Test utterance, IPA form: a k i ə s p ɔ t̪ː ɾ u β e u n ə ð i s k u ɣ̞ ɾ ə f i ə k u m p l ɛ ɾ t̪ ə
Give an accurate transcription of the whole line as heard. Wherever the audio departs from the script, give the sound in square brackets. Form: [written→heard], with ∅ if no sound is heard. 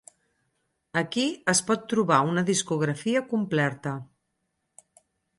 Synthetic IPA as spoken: [a→ə] k i ə s p ɔ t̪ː ɾ u β [e→a] u n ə ð i s k u ɣ̞ ɾ ə f i ə k u m p l ɛ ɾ t̪ ə